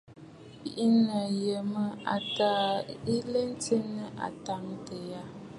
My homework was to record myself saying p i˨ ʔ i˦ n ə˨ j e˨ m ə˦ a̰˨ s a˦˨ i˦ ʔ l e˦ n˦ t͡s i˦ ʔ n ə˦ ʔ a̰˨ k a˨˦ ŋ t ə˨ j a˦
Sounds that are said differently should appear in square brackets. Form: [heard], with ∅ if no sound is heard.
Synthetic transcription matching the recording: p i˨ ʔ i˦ n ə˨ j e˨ m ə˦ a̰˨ [t] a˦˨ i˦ [∅] l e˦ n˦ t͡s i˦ [∅] n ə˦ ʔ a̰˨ [t] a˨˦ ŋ t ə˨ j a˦